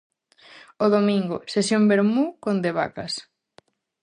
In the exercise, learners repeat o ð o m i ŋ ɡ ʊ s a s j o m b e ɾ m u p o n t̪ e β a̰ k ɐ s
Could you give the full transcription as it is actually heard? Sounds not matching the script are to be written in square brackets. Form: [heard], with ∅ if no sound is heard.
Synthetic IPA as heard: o ð o m i ŋ ɡ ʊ s [e] s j o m b e ɾ m u [k] o n [d̪] e β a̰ k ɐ s